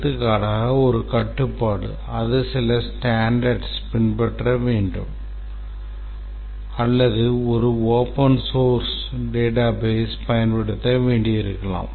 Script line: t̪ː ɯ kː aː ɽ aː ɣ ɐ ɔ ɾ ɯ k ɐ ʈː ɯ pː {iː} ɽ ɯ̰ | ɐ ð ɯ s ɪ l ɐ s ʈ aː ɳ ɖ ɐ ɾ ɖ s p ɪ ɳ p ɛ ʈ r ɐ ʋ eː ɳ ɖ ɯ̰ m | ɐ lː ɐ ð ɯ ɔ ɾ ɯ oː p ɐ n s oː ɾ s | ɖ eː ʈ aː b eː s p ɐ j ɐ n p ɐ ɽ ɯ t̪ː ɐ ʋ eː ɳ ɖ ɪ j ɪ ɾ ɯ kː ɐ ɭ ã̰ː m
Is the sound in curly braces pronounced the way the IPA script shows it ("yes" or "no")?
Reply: no